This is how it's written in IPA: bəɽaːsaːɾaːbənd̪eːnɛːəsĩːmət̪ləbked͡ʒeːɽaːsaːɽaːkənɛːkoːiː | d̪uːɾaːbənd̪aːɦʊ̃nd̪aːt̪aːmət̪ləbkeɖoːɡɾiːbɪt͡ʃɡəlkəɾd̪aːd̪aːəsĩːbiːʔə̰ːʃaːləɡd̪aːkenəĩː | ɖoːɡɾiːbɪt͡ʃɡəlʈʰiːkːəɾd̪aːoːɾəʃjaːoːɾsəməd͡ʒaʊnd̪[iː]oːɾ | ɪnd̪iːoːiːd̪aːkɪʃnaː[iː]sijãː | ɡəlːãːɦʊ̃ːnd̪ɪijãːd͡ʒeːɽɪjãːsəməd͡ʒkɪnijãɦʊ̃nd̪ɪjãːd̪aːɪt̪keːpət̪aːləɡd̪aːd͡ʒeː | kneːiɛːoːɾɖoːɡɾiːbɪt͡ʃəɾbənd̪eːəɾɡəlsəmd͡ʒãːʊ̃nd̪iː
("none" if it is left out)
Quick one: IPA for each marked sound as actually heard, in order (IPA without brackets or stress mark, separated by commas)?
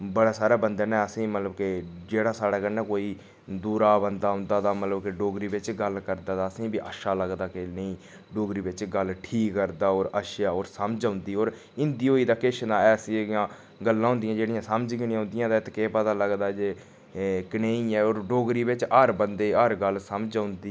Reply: iː, ɛː